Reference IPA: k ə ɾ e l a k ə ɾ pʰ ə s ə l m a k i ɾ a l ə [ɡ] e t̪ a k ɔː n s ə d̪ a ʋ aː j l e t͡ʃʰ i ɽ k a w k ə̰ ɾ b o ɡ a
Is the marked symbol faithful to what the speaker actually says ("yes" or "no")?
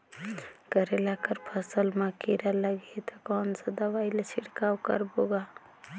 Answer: yes